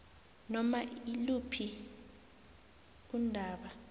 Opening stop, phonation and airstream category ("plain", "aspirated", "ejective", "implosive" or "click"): aspirated